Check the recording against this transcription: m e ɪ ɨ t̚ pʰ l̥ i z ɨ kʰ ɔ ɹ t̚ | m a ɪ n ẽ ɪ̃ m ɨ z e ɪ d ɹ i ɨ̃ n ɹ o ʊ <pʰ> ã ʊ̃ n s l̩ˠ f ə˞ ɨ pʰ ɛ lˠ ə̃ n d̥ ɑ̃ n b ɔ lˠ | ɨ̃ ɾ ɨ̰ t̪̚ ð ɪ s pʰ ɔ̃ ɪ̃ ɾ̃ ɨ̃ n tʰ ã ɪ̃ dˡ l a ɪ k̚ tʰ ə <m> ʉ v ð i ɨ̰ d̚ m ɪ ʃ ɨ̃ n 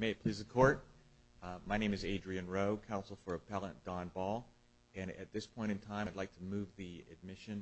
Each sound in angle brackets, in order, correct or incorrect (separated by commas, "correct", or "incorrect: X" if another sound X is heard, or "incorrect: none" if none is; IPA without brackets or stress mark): incorrect: kʰ, correct